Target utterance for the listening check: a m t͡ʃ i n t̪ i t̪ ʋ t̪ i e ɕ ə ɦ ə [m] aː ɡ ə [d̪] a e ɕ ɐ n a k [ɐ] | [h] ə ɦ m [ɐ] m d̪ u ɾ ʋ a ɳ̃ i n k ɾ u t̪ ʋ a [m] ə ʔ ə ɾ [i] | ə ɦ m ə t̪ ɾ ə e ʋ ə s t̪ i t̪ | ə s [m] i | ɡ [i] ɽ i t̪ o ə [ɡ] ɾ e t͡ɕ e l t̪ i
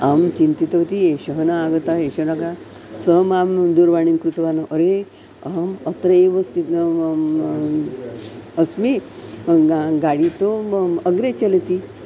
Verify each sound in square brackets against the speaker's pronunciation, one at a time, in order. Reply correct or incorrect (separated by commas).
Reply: incorrect, incorrect, incorrect, incorrect, incorrect, incorrect, incorrect, correct, incorrect, correct